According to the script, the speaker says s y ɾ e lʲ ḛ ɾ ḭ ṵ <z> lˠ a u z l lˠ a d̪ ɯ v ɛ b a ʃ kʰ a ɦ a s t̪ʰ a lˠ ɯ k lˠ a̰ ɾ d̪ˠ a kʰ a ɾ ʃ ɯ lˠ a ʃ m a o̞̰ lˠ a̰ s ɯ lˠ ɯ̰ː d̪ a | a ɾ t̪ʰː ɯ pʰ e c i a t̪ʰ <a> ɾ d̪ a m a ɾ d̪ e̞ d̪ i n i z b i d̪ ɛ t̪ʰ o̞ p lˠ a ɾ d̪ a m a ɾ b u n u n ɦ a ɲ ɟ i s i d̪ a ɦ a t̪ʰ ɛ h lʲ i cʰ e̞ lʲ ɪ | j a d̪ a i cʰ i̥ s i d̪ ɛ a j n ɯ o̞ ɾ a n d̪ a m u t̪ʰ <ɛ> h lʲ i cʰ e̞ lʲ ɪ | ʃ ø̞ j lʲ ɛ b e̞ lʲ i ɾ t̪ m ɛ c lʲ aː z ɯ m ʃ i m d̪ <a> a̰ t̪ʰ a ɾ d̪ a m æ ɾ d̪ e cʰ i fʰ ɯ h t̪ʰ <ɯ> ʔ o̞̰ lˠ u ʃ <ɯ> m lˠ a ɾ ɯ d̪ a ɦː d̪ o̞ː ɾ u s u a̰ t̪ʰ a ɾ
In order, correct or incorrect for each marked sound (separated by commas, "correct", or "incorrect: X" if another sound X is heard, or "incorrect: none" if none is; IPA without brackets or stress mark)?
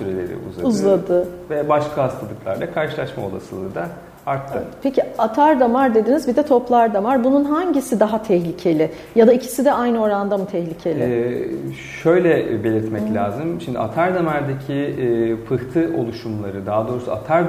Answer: correct, correct, correct, incorrect: i, correct, incorrect: u